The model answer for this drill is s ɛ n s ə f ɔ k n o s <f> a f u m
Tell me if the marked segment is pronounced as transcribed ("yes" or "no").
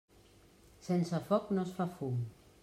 yes